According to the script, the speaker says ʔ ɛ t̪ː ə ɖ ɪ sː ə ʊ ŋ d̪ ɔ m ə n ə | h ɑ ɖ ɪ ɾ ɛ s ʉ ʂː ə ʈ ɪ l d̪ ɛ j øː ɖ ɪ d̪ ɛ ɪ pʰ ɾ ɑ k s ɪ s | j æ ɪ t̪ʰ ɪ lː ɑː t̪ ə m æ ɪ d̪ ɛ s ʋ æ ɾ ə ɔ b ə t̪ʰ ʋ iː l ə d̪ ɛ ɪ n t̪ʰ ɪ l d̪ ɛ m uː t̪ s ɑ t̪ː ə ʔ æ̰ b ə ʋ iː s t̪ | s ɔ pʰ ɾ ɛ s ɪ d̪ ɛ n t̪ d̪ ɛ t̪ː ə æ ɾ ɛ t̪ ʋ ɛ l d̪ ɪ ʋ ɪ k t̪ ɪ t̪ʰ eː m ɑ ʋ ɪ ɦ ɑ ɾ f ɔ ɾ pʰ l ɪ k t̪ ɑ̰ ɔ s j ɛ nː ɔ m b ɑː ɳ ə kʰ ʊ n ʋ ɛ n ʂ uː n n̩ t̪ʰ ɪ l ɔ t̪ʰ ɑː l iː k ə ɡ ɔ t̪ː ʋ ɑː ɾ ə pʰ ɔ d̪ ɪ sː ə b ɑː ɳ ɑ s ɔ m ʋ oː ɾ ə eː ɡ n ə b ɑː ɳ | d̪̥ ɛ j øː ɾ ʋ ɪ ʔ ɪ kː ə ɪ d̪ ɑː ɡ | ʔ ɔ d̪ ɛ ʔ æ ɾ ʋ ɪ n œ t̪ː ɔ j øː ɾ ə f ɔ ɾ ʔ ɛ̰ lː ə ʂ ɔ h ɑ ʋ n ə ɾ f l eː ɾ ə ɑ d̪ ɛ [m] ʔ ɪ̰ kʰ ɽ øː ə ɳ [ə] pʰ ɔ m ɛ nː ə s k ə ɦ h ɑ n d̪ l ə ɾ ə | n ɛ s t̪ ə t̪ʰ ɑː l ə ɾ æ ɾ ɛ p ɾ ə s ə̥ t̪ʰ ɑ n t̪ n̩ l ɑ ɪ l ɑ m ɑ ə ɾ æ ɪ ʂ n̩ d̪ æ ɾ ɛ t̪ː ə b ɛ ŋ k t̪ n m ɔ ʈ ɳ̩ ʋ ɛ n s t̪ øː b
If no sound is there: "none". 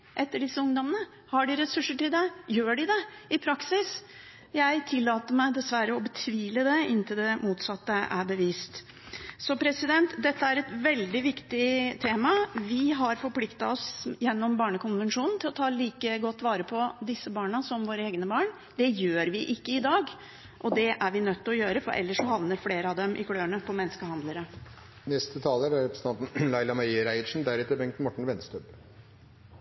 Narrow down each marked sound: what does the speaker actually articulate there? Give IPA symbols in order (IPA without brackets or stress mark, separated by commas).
m, ə